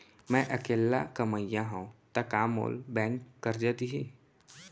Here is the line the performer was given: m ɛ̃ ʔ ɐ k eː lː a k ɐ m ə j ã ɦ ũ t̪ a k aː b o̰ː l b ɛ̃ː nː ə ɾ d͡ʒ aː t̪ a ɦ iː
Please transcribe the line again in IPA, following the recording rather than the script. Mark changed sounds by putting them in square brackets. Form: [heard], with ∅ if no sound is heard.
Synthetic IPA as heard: m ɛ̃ ʔ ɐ k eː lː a k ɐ m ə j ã ɦ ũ t̪ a k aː [m] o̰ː l b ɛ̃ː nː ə ɾ d͡ʒ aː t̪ [i] ɦ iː